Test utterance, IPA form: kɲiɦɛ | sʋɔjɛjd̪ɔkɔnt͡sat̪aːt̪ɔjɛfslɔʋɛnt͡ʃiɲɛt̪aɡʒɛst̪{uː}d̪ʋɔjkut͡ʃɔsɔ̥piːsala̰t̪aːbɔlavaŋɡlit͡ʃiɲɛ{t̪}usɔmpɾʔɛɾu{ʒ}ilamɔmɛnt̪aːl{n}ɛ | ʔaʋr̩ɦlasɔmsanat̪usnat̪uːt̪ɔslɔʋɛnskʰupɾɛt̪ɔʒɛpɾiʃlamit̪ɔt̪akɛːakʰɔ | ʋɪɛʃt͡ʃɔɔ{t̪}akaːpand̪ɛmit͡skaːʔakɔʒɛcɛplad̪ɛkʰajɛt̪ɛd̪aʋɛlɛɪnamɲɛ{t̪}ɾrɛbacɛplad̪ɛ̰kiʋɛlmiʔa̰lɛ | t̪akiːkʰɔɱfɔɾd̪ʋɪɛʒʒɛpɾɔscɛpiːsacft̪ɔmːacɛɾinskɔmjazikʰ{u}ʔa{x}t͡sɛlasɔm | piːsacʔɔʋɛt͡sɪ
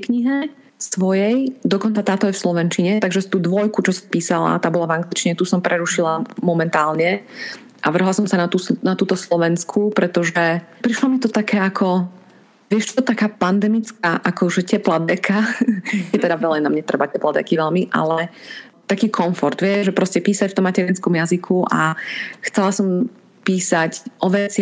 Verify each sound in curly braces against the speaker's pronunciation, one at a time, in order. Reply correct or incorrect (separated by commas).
correct, correct, incorrect, incorrect, correct, correct, correct, correct